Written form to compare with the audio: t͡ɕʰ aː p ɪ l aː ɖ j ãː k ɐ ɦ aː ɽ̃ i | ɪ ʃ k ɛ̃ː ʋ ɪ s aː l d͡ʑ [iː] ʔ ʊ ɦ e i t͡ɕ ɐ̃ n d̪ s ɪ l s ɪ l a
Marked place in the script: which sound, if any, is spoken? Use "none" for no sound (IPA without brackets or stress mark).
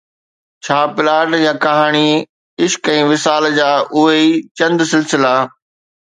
aː